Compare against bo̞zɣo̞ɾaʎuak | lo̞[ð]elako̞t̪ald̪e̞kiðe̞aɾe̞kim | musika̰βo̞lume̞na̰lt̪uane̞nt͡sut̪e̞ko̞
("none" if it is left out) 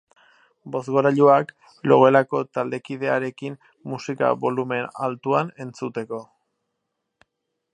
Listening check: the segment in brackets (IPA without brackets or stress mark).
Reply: ɣ